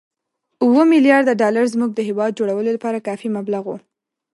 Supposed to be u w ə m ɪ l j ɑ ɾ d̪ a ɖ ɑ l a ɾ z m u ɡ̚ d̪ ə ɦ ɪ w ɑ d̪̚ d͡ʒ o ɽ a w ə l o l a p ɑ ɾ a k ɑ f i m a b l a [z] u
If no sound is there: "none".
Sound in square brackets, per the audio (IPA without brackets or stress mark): ɣ